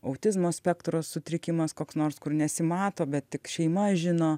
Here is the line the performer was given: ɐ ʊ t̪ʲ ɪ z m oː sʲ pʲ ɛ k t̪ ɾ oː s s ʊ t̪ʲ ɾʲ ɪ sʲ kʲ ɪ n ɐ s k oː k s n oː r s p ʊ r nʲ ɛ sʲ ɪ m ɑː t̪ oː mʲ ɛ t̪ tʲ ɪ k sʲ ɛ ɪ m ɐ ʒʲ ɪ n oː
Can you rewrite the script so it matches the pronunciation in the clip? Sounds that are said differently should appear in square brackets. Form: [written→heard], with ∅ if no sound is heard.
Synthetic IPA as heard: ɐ ʊ t̪ʲ ɪ z m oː sʲ pʲ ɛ k t̪ ɾ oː s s ʊ t̪ʲ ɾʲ ɪ [sʲ→∅] kʲ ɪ [n→m] ɐ s k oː k s n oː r s [p→k] ʊ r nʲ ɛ sʲ ɪ m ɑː t̪ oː [mʲ→bʲ] ɛ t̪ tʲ ɪ k [sʲ→ʃʲ] ɛ ɪ m ɐ ʒʲ ɪ n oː